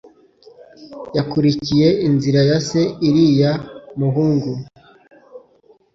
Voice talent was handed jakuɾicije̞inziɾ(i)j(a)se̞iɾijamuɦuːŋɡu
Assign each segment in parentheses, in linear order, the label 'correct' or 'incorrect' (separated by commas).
incorrect, correct